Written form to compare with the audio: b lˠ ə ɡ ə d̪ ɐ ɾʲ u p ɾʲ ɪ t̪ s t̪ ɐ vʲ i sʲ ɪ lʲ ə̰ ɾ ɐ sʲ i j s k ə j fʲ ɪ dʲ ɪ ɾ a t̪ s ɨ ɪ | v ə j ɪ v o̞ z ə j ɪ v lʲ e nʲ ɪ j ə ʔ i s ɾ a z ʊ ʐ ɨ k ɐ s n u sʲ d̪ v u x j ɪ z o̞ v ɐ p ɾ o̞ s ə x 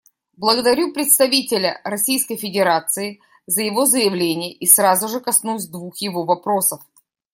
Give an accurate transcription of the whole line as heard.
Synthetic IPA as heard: b lˠ ə ɡ ə d̪ ɐ ɾʲ u p ɾʲ ɪ t̪ s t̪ ɐ vʲ i tʲ ɪ lʲ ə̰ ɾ ɐ sʲ i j s k ə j fʲ ɪ dʲ ɪ ɾ a t̪ s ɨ ɪ | z ə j ɪ v o̞ z ə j ɪ v lʲ e nʲ ɪ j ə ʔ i s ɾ a z ʊ ʐ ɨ k ɐ s n u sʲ d̪ v u x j ɪ v o̞ v ɐ p ɾ o̞ s ə f